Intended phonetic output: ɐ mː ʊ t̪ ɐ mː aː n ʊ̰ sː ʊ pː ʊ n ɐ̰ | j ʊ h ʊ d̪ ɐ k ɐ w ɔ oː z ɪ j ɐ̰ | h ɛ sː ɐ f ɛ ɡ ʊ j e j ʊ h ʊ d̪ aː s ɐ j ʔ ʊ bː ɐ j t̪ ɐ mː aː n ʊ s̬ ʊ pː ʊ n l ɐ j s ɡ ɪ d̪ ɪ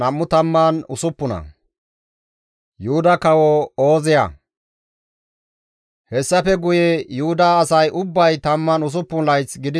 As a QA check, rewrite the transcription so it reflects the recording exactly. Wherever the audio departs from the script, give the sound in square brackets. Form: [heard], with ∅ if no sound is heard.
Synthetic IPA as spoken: ɐ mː ʊ t̪ ɐ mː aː n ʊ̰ [s] ʊ pː ʊ n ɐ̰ | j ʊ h ʊ d̪ ɐ k ɐ w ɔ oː z ɪ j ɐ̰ | h ɛ sː ɐ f ɛ ɡ ʊ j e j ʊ h ʊ d̪ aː s ɐ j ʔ ʊ bː ɐ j t̪ ɐ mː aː n ʊ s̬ ʊ pː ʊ n l ɐ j [t͡s] ɡ ɪ d̪ ɪ